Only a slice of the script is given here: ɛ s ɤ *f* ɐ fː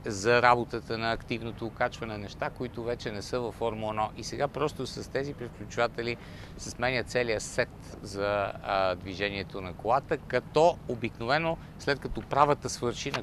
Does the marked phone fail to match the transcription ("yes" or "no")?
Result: yes